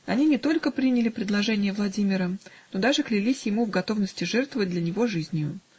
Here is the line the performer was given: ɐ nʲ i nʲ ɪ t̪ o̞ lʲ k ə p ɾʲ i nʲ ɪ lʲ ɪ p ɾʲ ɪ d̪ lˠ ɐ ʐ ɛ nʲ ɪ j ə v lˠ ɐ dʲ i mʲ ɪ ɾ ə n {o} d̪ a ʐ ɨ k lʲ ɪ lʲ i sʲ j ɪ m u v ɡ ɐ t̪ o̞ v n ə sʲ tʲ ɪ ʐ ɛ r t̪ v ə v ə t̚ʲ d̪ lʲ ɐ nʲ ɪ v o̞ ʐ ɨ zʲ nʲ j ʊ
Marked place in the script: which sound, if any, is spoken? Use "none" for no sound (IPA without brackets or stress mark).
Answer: o